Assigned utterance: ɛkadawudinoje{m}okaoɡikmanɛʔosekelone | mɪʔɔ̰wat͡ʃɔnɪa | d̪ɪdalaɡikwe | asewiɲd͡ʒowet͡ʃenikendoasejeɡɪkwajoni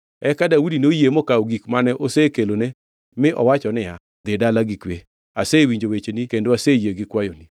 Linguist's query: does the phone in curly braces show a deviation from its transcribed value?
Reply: no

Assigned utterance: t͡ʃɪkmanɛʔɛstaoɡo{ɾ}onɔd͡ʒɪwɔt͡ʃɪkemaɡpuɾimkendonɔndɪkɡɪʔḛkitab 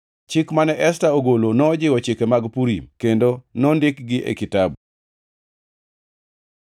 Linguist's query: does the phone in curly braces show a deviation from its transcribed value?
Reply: yes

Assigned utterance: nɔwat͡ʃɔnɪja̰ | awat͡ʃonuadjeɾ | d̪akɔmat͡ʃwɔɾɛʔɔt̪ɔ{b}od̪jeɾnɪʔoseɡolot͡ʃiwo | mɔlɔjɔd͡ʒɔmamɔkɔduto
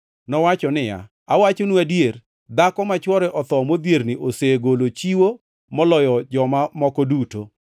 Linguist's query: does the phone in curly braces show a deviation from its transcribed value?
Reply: yes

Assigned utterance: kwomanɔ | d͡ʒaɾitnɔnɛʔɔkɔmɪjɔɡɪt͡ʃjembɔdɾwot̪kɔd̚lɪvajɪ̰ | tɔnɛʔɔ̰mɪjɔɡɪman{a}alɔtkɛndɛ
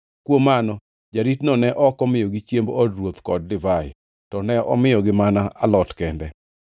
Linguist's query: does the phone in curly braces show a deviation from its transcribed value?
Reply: no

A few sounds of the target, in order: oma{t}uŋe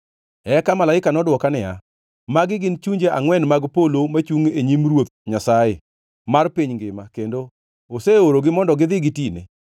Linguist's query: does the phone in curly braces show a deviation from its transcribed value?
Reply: yes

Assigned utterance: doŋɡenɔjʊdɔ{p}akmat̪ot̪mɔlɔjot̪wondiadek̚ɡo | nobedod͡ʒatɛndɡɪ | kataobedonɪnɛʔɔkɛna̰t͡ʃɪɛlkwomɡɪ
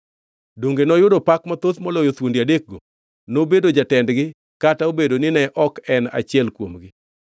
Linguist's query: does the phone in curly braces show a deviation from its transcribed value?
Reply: no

